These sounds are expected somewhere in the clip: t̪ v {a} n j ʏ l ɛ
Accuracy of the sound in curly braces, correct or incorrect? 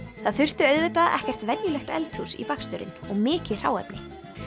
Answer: incorrect: ɛ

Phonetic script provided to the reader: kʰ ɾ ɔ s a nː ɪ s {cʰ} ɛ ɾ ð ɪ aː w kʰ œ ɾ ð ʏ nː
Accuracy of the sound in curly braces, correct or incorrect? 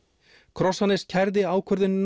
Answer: correct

